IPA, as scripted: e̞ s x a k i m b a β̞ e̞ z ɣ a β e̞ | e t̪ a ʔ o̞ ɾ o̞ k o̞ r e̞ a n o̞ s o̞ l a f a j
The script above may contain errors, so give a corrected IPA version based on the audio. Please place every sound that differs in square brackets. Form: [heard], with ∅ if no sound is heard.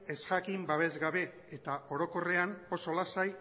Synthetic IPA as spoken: e̞ s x a k i m b a β̞ e̞ z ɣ a β e̞ | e t̪ a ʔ o̞ ɾ o̞ k o̞ r e̞ a n o̞ s o̞ l a [s] a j

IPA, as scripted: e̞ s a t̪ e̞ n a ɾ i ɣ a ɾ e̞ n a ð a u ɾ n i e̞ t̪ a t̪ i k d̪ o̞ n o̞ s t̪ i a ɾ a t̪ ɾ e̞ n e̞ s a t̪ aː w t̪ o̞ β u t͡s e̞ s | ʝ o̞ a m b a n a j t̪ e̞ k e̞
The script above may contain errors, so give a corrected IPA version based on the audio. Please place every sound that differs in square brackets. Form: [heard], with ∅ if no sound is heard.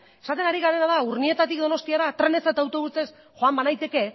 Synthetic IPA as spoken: e̞ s a t̪ e̞ n a ɾ i ɣ a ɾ e̞ n a ð a u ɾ n i e̞ t̪ a t̪ i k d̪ o̞ n o̞ s t̪ i a ɾ a t̪ ɾ e̞ n e̞ s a t̪ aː w t̪ o̞ β u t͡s e̞ s | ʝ o̞ a m b a n a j t̪ e̞ k e̞

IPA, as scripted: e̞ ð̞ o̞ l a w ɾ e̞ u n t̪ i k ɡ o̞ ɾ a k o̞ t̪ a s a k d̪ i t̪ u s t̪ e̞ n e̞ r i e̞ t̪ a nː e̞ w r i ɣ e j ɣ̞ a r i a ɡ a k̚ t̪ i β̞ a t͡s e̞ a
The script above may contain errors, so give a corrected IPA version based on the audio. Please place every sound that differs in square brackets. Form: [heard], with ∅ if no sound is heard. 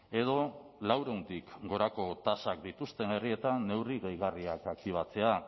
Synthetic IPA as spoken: e̞ ð̞ o̞ l a w ɾ e̞ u n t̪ i k ɡ o̞ ɾ a k o̞ t̪ a s a k d̪ i t̪ u s t̪ e̞ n e̞ r i e̞ t̪ a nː e̞ w r i ɣ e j ɣ̞ a r i a [k] a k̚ t̪ i β̞ a t͡s e̞ a

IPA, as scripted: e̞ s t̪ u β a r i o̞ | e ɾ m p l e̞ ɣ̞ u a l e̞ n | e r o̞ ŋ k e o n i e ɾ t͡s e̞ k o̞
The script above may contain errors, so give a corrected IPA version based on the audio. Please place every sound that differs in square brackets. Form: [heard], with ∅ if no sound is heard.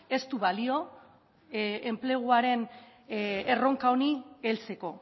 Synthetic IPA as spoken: e̞ s t̪ u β a [l] i o̞ | e [∅] m p l e̞ ɣ̞ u a [ɾ] e̞ n | e r o̞ ŋ k [a] o n i e [l] t͡s e̞ k o̞

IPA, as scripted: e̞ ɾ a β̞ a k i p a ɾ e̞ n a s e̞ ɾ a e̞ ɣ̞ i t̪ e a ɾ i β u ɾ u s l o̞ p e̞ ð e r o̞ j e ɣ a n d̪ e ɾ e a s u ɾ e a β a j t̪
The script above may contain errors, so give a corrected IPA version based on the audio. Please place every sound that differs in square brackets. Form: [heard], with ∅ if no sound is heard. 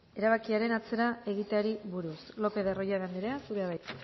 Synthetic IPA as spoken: e̞ ɾ a β̞ a k i [∅] a ɾ e̞ n a [t͡s] e̞ ɾ a e̞ ɣ̞ i t̪ e a ɾ i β u ɾ u s l o̞ p e̞ ð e r o̞ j [a] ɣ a n d̪ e ɾ e a s u ɾ e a β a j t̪

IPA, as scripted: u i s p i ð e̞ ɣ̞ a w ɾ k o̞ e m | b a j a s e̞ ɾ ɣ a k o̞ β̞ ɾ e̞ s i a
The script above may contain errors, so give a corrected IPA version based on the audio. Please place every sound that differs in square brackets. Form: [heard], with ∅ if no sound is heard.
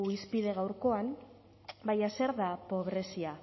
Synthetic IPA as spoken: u i s p i ð e̞ ɣ̞ a w ɾ k o̞ [a] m | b a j a s e̞ ɾ [ð] a [p] o̞ β̞ ɾ e̞ s i a

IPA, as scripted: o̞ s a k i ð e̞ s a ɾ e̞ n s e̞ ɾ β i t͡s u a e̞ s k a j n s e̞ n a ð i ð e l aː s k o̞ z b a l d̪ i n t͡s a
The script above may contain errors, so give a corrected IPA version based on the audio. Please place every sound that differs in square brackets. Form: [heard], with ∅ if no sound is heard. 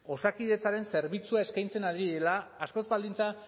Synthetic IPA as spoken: o̞ s a k i ð e̞ [t͡s] a ɾ e̞ n s e̞ ɾ β i t͡s u a e̞ s k a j n [t͡s] e̞ n a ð i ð e l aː s k o̞ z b a l d̪ i n t͡s a

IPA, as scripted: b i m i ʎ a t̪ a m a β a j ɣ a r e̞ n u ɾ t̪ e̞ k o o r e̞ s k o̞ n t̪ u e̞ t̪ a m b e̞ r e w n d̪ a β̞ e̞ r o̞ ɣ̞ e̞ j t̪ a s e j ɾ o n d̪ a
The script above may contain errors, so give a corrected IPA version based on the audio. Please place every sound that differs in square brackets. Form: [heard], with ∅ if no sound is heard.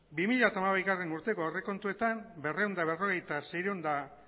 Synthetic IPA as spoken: b i m i ʎ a t̪ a m a β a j ɣ a r e̞ n u ɾ t̪ e̞ k o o r e̞ [∅] k o̞ n t̪ u e̞ t̪ a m b e̞ r e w n d̪ a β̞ e̞ r o̞ ɣ̞ e̞ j t̪ a s e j ɾ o n d̪ a

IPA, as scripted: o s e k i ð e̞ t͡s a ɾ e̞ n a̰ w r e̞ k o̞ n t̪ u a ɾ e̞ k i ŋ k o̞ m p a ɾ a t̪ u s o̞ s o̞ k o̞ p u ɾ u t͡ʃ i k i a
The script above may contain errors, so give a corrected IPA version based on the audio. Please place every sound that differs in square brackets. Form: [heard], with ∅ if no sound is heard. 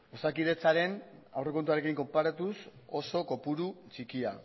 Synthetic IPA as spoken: o s [a] k i ð e̞ t͡s a ɾ e̞ n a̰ w r e̞ k o̞ n t̪ u a ɾ e̞ k i ŋ k o̞ m p a ɾ a t̪ u s o̞ s o̞ k o̞ p u ɾ u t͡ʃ i k i a

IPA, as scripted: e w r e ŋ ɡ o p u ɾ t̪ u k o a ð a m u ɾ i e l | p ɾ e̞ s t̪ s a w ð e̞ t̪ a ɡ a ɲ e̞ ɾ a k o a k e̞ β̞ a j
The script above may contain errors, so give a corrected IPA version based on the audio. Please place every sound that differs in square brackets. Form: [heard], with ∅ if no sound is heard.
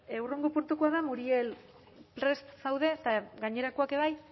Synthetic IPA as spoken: e w r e ŋ ɡ o p u ɾ t̪ u k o a ð a m u ɾ i e l | p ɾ e̞ s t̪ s a w ð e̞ t̪ a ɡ a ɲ e̞ ɾ a k o a k e̞ β̞ a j

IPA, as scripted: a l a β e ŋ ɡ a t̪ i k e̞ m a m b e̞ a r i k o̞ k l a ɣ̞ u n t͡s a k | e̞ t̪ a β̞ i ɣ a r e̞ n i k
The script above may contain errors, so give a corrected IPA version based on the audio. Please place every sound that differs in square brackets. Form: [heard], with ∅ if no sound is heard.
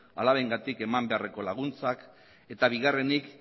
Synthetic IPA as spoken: a l a β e ŋ ɡ a t̪ i k e̞ m a m b e̞ a r [e] k o̞ [∅] l a ɣ̞ u n t͡s a k | e̞ t̪ a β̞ i ɣ a r e̞ n i k

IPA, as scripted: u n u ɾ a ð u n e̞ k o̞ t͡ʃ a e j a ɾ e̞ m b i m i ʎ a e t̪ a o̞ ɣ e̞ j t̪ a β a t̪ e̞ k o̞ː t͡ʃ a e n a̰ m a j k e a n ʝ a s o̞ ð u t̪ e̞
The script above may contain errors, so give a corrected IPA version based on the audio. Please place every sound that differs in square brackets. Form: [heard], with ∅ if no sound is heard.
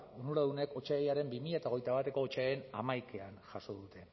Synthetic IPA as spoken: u n u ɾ a ð u n e̞ k o̞ t͡ʃ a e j a ɾ e̞ m b i m i ʎ a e t̪ a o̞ ɣ e̞ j t̪ a β a t̪ e̞ k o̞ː t͡ʃ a e n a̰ m a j k e a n ʝ a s o̞ ð u t̪ e̞

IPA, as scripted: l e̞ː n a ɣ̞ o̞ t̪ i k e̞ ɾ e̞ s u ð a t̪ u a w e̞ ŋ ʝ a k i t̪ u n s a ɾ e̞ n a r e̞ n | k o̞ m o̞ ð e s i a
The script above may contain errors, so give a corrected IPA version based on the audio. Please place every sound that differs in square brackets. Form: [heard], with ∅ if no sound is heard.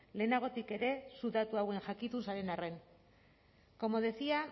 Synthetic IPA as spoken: l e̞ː n a ɣ̞ o̞ t̪ i k e̞ ɾ e̞ s u ð a t̪ u a w e̞ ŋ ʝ a k i t̪ u n s a ɾ e̞ n a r e̞ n | k o̞ m o̞ ð e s i a

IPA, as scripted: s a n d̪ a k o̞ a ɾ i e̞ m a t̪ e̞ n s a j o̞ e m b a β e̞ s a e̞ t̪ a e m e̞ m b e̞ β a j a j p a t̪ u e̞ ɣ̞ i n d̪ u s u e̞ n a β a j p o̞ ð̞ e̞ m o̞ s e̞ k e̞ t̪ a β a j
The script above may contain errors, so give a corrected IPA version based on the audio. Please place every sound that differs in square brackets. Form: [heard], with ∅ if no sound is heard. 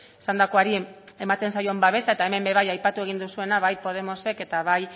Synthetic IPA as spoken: s a n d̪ a k o̞ a ɾ i e̞ m a t̪ e̞ n s a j o̞ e m b a β e̞ s a e̞ t̪ a e m e̞ m b e̞ β a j a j p a t̪ u e̞ ɣ̞ i n d̪ u s u e̞ n a β a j p o̞ ð̞ e̞ m o̞ s e̞ k e̞ t̪ a β a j

